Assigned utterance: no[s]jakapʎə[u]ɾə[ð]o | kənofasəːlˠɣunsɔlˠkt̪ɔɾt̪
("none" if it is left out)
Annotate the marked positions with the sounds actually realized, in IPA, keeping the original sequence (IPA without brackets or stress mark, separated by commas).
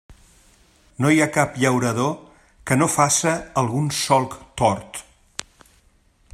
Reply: none, w, ð